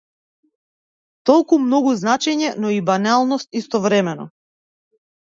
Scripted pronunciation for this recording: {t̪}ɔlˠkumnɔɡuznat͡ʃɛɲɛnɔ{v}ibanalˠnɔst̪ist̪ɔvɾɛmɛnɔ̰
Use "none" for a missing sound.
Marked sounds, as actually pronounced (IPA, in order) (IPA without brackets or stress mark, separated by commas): t̪, none